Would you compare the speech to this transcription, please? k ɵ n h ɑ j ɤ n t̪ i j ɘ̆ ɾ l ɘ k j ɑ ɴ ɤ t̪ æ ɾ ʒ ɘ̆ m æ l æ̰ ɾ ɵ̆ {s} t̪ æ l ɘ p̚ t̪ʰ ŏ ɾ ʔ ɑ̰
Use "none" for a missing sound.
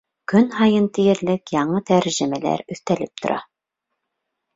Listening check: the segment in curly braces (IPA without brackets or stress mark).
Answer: θ